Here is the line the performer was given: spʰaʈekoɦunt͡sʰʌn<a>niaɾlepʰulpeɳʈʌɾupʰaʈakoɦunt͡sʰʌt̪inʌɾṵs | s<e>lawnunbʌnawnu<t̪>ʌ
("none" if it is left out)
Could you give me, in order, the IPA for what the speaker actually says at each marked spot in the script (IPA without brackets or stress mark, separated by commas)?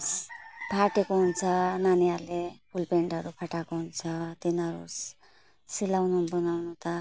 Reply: a, i, t̪